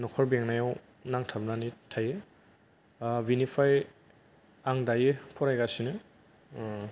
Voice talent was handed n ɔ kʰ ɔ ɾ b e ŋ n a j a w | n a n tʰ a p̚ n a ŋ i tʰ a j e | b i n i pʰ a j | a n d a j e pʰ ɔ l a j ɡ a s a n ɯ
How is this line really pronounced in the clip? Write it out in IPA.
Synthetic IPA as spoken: n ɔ kʰ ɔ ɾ b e ŋ n a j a w | n a ŋ tʰ a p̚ n a n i tʰ a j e | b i n i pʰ a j | a ŋ d a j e pʰ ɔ ɾ a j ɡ a s i n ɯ